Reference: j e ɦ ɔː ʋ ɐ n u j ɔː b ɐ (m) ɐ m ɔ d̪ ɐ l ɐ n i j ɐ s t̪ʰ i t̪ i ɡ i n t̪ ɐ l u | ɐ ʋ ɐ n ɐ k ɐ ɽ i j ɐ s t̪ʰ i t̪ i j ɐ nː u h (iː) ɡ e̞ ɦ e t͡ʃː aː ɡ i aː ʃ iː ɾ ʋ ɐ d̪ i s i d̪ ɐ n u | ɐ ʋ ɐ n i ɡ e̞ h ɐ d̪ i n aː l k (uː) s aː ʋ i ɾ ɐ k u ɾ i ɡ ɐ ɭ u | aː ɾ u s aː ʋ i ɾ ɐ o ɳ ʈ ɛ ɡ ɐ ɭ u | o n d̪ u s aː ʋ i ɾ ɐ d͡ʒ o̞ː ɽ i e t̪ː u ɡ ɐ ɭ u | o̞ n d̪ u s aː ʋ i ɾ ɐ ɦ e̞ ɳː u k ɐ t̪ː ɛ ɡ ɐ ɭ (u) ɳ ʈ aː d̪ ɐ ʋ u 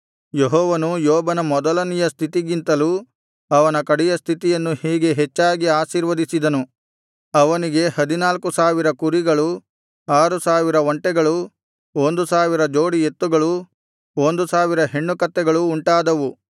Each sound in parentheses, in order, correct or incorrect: incorrect, correct, incorrect, incorrect

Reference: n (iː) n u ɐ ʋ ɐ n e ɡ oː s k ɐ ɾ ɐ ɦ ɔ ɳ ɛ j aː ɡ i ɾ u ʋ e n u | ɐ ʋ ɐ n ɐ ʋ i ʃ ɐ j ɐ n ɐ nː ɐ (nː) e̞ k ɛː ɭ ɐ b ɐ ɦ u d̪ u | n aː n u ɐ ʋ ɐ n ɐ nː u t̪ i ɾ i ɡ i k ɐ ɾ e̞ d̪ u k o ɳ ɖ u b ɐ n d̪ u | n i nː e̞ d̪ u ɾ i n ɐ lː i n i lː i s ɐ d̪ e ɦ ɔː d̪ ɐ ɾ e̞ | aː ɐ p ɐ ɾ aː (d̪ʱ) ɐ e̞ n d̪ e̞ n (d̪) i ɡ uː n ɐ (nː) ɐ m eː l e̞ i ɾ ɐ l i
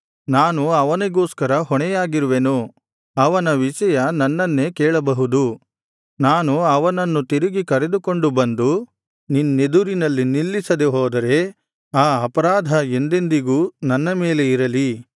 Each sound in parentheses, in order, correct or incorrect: incorrect, correct, correct, correct, correct

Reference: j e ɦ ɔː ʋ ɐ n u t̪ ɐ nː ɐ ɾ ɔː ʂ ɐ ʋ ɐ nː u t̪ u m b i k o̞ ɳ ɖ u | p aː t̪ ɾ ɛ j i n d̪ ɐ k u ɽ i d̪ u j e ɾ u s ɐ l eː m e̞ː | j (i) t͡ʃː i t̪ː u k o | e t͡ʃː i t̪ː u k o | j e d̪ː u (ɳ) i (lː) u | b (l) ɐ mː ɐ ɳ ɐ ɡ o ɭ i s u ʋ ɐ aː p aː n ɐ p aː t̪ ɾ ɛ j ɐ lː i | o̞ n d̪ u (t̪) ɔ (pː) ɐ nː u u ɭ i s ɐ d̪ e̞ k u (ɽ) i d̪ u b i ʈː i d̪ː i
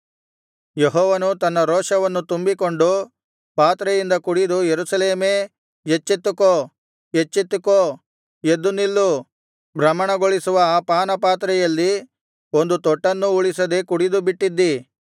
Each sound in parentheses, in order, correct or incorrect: incorrect, incorrect, correct, incorrect, correct, incorrect, correct

